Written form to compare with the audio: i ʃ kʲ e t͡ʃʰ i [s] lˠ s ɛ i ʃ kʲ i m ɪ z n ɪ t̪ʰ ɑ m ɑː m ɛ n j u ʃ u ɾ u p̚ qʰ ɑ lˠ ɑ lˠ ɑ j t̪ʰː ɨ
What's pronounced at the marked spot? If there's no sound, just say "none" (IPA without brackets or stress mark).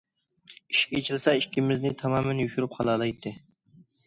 none